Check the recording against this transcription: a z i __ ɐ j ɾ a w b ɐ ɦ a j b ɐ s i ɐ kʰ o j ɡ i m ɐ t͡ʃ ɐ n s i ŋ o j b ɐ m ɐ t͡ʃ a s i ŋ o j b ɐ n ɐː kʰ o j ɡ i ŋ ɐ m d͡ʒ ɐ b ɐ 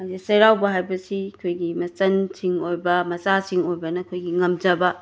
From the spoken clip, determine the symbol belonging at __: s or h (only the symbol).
s